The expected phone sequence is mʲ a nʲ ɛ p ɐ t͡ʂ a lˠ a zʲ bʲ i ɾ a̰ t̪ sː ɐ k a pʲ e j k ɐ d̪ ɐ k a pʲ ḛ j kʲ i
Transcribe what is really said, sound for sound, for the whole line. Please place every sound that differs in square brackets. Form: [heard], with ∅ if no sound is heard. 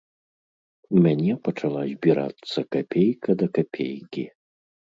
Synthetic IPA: mʲ a nʲ ɛ p ɐ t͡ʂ a lˠ a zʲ bʲ i ɾ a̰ t̪ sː ɐ k a pʲ e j k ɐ d̪ ɐ k a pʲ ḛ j kʲ i